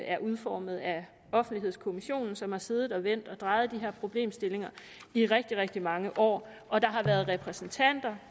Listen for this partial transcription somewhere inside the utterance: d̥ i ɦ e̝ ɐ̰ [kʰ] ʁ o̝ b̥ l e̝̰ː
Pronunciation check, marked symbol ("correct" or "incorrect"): incorrect